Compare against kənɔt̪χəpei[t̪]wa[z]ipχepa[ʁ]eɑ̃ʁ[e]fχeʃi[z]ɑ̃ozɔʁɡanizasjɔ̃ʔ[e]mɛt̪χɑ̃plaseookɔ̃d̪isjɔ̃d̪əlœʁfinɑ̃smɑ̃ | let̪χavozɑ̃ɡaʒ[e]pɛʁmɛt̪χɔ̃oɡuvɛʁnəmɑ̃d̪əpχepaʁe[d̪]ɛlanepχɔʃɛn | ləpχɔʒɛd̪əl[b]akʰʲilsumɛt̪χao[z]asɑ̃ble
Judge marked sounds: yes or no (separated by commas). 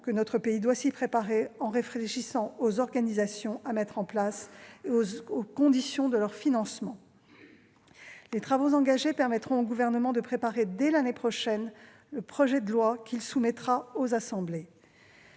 no, no, yes, yes, no, no, yes, yes, no, yes